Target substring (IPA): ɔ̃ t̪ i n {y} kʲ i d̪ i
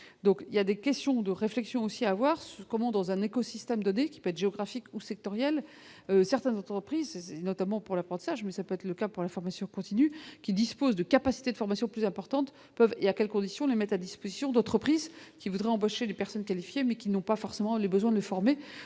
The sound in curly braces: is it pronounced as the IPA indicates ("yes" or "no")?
yes